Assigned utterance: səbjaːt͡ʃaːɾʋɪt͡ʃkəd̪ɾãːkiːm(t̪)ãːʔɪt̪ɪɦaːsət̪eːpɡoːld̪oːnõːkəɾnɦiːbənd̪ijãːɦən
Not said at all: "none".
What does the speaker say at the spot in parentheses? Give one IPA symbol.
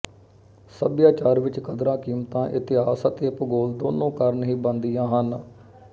t̪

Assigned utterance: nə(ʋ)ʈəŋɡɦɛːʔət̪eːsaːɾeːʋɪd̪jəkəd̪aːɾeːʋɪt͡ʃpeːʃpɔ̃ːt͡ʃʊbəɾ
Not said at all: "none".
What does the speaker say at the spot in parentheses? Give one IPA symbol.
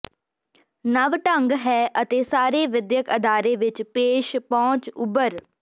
ʋ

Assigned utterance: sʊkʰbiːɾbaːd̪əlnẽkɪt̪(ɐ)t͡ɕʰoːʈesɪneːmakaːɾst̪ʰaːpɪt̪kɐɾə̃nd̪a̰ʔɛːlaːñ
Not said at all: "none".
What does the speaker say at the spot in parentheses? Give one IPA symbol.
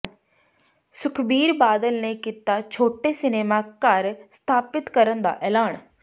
a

